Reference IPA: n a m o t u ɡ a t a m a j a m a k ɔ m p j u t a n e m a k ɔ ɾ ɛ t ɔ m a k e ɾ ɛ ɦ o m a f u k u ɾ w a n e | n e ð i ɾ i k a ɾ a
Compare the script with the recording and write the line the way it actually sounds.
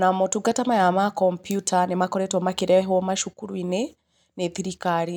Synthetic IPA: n a m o t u ɡ a t a m a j a m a k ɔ m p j u t a n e m a k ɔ ɾ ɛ t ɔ m a k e ɾ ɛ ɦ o m a ʃ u k u ɾ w i n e | n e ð i ɾ i k a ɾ i